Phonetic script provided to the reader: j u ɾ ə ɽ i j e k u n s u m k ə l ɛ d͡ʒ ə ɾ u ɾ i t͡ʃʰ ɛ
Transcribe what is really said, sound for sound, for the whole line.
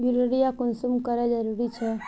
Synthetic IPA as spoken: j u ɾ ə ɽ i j a k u n s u m k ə ɾ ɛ d͡ʒ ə ɾ u ɾ i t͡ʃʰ ɛ